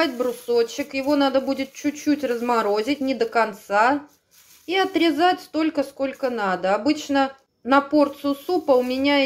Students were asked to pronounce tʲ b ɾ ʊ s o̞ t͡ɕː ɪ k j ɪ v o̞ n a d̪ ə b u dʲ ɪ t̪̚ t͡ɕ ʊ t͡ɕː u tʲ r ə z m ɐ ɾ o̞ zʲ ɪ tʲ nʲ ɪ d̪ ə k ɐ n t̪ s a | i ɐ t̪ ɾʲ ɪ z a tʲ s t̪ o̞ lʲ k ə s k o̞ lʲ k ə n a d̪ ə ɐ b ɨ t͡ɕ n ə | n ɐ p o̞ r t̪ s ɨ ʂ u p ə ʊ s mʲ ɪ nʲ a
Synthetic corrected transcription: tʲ b ɾ ʊ s o̞ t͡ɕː ɪ k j ɪ v o̞ n a d̪ ə b u dʲ ɪ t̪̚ t͡ɕ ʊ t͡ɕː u tʲ r ə z m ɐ ɾ o̞ zʲ ɪ tʲ nʲ ɪ d̪ ə k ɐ n t̪ s a | i ɐ t̪ ɾʲ ɪ z a tʲ s t̪ o̞ lʲ k ə s k o̞ lʲ k ə n a d̪ ə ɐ b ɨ t͡ɕ n ə | n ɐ p o̞ r t̪ s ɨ s u p ə ʊ mʲ ɪ nʲ a